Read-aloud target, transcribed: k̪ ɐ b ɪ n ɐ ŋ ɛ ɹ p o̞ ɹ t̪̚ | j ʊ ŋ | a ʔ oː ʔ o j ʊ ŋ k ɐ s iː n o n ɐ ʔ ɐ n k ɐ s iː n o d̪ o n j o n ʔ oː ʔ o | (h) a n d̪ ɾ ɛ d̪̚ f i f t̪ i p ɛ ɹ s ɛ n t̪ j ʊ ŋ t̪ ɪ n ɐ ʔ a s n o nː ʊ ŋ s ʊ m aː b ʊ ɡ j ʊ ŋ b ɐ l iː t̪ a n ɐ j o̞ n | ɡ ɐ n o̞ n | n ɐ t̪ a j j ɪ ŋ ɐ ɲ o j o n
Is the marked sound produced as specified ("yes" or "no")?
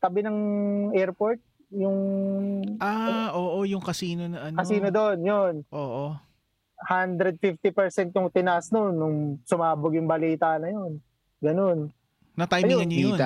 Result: yes